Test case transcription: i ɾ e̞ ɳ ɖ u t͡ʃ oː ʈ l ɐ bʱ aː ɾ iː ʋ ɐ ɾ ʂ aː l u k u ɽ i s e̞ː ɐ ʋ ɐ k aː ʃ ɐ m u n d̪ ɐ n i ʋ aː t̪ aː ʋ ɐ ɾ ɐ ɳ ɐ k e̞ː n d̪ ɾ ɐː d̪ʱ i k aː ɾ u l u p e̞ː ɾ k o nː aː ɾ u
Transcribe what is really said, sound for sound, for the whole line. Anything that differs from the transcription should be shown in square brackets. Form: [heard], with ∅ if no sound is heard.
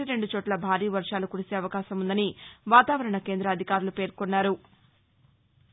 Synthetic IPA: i ɾ e̞ ɳ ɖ u t͡ʃ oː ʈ l ɐ bʱ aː ɾ iː ʋ ɐ ɾ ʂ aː l u k u ɽ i s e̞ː ɐ ʋ ɐ k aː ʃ ɐ m u n d̪ ɐ n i ʋ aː t̪ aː ʋ ɐ ɾ ɐ ɳ ɐ k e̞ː n d̪ ɾ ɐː d̪ʱ i k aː ɾ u l u p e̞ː ɾ k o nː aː ɾ u

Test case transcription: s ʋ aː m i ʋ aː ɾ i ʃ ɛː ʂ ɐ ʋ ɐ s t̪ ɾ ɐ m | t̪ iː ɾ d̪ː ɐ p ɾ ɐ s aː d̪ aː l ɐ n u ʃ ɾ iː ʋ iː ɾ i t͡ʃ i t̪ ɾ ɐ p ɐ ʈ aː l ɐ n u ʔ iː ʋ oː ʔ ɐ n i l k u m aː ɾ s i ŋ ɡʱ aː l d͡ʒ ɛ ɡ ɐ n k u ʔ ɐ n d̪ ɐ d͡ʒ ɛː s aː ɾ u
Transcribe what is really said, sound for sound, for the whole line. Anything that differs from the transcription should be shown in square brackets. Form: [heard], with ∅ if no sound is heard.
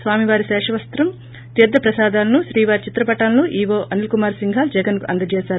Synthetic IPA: s ʋ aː m i ʋ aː ɾ i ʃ ɛː ʂ ɐ ʋ ɐ s t̪ ɾ ɐ m | t̪ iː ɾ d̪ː ɐ p ɾ ɐ s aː d̪ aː l ɐ n u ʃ ɾ iː ʋ [aː] ɾ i t͡ʃ i t̪ ɾ ɐ p ɐ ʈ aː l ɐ n u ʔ iː ʋ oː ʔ ɐ n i l k u m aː ɾ s i ŋ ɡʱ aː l d͡ʒ ɛ ɡ ɐ n k u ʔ ɐ n d̪ ɐ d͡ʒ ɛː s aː ɾ u

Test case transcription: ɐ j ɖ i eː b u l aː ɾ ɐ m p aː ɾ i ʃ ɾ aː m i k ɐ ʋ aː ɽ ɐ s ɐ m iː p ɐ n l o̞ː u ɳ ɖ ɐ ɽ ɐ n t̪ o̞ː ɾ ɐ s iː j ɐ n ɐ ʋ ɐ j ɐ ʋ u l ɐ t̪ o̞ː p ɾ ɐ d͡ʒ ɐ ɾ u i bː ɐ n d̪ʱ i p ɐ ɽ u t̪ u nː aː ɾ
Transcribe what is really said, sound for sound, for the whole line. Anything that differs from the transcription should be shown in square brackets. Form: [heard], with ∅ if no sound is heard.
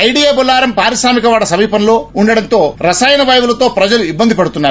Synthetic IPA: ɐ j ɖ i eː b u l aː ɾ ɐ m p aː ɾ i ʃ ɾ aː m i k ɐ ʋ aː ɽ ɐ s ɐ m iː p ɐ n l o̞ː u ɳ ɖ ɐ ɽ ɐ n t̪ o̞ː ɾ ɐ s [aː] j ɐ n ɐ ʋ ɐ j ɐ ʋ u l ɐ t̪ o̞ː p ɾ ɐ d͡ʒ ɐ [l] u i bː ɐ n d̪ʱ i p ɐ ɽ u t̪ u nː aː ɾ

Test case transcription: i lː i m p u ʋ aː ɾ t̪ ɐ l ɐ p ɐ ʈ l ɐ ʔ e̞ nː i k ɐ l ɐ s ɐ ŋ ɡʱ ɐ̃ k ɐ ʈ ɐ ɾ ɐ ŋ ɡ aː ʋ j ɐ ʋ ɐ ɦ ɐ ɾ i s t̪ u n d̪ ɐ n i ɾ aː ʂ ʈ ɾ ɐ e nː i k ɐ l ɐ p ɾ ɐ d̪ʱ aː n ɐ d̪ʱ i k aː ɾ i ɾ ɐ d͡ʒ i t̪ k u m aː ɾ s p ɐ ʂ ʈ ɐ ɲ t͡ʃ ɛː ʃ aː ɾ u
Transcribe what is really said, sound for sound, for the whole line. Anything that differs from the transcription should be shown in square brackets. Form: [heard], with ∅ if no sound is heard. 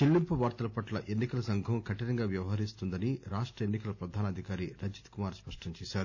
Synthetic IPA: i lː i m p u ʋ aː ɾ t̪ ɐ l ɐ p ɐ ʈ l ɐ ʔ e̞ nː i k ɐ l ɐ s ɐ ŋ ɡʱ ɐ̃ k ɐ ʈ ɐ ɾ ɐ ŋ ɡ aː ʋ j ɐ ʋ ɐ ɦ ɐ ɾ i s t̪ u n d̪ ɐ n i ɾ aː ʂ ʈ ɾ ɐ e nː i k ɐ l ɐ p ɾ ɐ d̪ʱ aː n ɐ d̪ʱ i k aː ɾ i ɾ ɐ d͡ʒ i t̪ k u m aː ɾ s p ɐ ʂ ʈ ɐ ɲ t͡ʃ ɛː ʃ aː ɾ u

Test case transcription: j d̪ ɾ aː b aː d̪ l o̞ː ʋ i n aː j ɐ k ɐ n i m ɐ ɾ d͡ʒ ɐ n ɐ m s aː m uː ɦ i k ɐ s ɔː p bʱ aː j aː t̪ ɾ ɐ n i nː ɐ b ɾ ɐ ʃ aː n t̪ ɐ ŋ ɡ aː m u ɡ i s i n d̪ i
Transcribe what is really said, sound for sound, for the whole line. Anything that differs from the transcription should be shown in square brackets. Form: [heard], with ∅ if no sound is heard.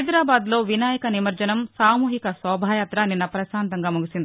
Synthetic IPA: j d̪ ɾ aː b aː d̪ l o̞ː ʋ i n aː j ɐ k ɐ n i m ɐ ɾ d͡ʒ ɐ n ɐ m s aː m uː ɦ i k ɐ s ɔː [∅] bʱ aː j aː t̪ ɾ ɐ n i nː ɐ [p] ɾ ɐ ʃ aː n t̪ ɐ ŋ ɡ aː m u ɡ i s i n d̪ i

